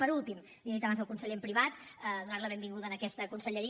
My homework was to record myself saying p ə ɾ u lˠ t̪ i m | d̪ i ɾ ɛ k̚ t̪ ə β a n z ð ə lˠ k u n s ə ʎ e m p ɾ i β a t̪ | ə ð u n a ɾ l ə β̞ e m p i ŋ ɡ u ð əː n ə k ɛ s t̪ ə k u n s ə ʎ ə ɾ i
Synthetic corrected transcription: p ə ɾ u lˠ t̪ i m | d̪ i ɾ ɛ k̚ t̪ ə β a n z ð ə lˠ k u n s ə ʎ e m p ɾ i β a t̪ | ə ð u n a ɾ l ə β̞ e m b i ŋ ɡ u ð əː n ə k ɛ s t̪ ə k u n s ə ʎ ə ɾ i